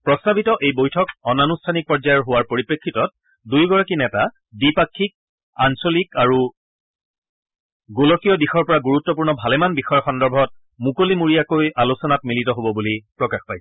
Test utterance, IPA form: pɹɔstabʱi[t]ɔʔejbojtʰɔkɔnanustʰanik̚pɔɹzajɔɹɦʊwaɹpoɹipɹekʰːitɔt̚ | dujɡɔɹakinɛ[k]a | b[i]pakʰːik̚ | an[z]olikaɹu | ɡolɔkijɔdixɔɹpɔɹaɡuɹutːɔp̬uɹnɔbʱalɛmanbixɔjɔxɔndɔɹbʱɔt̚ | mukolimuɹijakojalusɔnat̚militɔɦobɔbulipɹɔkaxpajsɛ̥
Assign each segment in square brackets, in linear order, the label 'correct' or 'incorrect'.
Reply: correct, incorrect, correct, incorrect

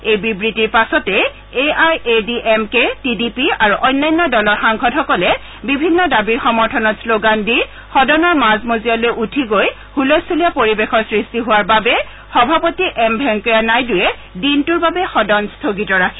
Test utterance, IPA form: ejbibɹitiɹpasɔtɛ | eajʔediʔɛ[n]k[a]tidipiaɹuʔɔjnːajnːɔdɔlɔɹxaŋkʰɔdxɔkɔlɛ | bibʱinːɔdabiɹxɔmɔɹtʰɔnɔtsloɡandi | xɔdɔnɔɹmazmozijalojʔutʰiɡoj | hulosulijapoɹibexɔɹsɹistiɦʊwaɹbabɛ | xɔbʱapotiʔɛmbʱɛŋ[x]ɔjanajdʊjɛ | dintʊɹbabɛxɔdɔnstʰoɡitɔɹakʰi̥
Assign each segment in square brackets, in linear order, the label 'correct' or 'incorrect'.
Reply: incorrect, incorrect, incorrect

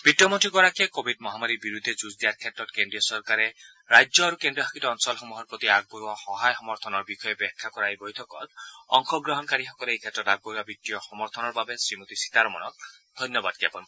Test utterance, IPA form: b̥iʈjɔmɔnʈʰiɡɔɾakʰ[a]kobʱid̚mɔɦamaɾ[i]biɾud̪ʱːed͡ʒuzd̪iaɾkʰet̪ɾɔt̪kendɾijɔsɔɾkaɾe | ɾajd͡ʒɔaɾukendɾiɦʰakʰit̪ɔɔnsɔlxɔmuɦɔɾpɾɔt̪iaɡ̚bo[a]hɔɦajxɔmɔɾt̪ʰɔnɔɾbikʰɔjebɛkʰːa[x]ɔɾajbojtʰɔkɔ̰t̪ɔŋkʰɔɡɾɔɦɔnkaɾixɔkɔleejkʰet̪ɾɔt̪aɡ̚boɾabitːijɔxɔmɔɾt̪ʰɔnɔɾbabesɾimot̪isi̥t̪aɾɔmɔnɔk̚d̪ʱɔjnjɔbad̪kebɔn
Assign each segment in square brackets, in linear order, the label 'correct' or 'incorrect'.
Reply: incorrect, correct, correct, incorrect

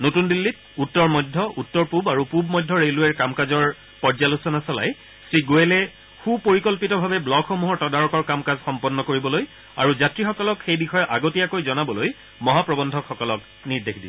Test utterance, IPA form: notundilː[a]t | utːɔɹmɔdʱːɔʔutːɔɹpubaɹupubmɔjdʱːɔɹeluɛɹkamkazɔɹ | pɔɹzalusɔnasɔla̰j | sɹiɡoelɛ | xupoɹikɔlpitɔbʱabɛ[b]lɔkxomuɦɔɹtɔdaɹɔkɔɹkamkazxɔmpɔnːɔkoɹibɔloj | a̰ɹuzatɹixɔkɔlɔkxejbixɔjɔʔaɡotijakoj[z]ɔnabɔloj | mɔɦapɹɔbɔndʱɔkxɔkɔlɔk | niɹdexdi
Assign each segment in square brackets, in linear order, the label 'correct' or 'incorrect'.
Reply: incorrect, correct, correct

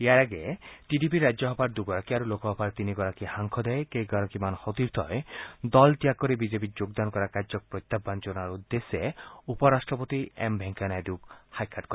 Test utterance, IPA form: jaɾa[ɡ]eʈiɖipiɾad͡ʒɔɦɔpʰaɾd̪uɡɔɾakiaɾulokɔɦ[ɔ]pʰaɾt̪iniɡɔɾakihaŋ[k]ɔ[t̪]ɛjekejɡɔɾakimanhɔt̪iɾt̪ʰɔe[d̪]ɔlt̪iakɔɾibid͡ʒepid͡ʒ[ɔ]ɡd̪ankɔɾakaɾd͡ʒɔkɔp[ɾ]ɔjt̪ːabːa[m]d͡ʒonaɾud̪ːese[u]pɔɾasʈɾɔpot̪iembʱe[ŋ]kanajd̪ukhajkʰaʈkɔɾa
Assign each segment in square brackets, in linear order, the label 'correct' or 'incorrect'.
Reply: correct, correct, incorrect, incorrect, correct, incorrect, correct, incorrect, correct, correct

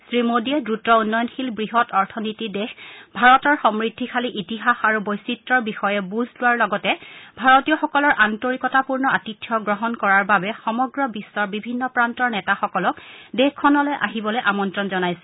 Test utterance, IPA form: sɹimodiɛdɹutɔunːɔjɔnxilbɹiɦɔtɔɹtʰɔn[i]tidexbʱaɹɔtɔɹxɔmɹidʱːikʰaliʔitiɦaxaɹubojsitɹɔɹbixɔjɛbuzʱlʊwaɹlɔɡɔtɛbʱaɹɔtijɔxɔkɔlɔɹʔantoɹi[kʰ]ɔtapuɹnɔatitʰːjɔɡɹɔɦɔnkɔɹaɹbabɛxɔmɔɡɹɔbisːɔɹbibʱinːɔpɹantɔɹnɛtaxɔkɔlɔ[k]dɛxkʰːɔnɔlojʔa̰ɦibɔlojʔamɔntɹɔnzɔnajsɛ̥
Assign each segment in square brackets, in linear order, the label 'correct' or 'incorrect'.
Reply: correct, incorrect, correct

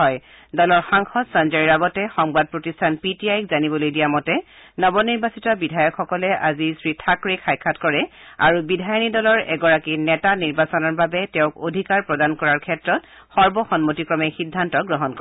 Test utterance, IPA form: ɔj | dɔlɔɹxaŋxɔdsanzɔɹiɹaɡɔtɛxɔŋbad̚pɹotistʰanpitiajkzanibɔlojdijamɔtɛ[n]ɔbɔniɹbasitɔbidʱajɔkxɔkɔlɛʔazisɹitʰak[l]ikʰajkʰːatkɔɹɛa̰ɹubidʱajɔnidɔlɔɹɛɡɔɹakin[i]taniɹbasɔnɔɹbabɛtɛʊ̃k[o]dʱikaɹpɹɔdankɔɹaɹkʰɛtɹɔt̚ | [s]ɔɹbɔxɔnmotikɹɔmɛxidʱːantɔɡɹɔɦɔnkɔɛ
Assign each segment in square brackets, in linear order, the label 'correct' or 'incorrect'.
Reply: correct, incorrect, incorrect, correct, incorrect

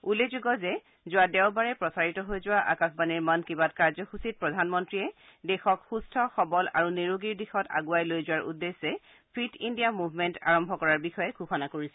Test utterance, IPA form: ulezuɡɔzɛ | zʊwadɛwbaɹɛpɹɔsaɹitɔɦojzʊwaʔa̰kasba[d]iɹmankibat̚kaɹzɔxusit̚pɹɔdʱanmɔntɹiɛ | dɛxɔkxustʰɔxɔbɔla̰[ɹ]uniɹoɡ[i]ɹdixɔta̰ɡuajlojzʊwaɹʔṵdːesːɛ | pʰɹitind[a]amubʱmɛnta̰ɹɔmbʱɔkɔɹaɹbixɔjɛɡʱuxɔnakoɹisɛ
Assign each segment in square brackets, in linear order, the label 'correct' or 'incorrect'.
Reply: incorrect, correct, correct, incorrect

